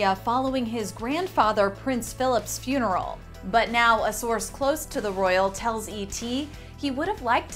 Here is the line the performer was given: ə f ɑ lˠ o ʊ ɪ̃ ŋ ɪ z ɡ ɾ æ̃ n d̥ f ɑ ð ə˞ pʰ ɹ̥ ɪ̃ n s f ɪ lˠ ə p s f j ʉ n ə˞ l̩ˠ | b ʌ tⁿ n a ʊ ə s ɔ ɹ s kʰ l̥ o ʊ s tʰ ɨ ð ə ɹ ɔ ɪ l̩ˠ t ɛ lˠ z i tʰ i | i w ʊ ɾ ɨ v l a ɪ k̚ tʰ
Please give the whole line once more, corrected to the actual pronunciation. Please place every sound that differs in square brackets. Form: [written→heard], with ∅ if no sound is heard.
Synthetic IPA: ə f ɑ lˠ o ʊ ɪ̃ ŋ ɪ z ɡ [ɾ→ɹ] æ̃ n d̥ f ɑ ð ə˞ pʰ ɹ̥ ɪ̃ n s f ɪ lˠ ə p s f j ʉ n ə˞ l̩ˠ | b ʌ tⁿ n a ʊ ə s ɔ ɹ s kʰ l̥ o ʊ s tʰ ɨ ð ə ɹ ɔ ɪ l̩ˠ [t→tʰ] ɛ lˠ z i tʰ i | i w ʊ ɾ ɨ v l a ɪ k̚ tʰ